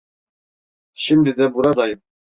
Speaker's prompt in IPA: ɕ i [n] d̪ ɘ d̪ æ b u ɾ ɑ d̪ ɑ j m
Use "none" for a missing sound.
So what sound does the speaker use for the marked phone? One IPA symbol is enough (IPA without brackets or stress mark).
m